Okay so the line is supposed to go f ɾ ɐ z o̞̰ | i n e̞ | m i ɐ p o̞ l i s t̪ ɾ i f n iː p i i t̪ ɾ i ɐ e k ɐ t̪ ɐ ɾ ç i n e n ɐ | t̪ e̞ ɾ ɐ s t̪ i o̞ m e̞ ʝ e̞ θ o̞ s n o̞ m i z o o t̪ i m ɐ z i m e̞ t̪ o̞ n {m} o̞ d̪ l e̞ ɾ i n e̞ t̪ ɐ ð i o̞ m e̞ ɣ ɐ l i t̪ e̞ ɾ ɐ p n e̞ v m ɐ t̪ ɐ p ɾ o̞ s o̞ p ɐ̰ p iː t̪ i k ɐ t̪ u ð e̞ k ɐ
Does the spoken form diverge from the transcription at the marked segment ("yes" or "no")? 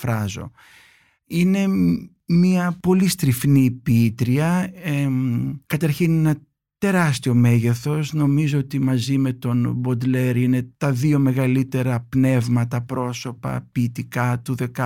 yes